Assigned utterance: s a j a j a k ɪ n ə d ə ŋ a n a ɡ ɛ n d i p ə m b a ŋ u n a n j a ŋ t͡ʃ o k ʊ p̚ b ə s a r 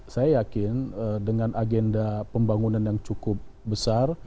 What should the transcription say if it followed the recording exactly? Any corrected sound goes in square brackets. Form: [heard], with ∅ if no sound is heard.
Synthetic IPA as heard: s a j a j a k ɪ n ə d ə ŋ a n a ɡ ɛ n d [a] p ə m b a ŋ u n a n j a ŋ t͡ʃ [u] k ʊ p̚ b ə s a r